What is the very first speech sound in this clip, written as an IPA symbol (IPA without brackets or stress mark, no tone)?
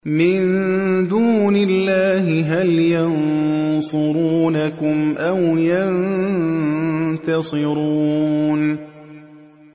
m